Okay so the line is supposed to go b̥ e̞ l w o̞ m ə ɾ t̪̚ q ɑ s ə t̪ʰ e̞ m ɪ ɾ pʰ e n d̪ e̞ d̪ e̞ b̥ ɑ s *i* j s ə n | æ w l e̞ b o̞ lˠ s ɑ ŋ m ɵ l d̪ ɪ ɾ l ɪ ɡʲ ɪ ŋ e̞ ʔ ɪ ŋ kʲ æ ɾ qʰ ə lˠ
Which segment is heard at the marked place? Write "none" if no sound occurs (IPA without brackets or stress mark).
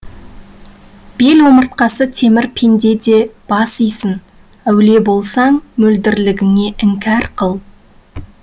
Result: i